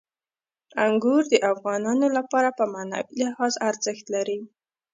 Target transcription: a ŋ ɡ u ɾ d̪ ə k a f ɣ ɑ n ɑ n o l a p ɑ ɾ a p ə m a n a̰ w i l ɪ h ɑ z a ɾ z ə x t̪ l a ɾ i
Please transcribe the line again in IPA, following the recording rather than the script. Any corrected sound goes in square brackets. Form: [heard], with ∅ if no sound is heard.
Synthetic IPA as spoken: a ŋ ɡ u ɾ d̪ ə [ʔ] a f ɣ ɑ n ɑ n o l a p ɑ ɾ a p ə m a n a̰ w i l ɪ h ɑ z a ɾ z ə x t̪ l a ɾ i